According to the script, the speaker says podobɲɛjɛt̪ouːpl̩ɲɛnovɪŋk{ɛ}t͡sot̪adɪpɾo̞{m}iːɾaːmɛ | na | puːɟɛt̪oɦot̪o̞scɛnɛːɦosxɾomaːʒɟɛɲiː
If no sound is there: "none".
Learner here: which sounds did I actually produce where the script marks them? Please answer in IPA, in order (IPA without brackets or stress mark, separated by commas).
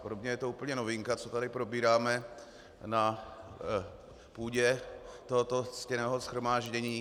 a, b